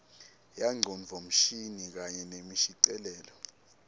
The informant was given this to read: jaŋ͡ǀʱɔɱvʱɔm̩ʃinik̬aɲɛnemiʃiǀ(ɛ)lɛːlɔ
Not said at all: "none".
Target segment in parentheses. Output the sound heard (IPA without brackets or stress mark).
ɛ